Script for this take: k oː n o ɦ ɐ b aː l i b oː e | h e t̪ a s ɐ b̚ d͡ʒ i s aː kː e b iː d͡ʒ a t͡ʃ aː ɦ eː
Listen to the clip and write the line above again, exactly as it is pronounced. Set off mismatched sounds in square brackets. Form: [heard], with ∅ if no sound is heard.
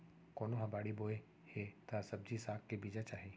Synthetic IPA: k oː n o ɦ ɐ b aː [ɽ] i b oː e | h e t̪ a s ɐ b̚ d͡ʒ i s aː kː e b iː d͡ʒ a t͡ʃ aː ɦ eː